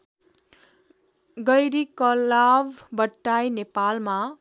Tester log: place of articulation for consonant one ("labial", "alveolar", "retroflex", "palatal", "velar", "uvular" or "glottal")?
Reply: velar